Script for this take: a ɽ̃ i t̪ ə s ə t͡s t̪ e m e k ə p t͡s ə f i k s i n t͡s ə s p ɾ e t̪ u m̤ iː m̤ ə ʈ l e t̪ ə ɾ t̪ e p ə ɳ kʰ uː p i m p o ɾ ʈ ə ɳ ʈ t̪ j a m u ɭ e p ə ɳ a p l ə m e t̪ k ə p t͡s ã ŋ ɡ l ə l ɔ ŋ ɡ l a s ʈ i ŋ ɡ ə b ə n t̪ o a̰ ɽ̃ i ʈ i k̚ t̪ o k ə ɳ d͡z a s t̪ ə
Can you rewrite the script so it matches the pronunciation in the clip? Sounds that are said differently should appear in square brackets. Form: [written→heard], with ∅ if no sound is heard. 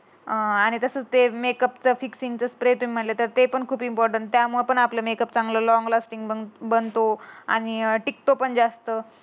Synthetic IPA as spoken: a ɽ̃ i t̪ ə s ə t͡s t̪ e m e k ə p t͡s ə f i k s i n t͡s ə s p ɾ e t̪ u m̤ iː m̤ ə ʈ l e t̪ ə ɾ t̪ e p ə ɳ kʰ uː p i m p [o→ɔ] ɾ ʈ ə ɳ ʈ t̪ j a m u ɭ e p ə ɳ a p l ə m e [t̪→∅] k ə p t͡s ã ŋ ɡ l ə l ɔ ŋ ɡ l a s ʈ i ŋ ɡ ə b ə n t̪ o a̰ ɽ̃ i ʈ i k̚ t̪ o [k→p] ə ɳ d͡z a s t̪ ə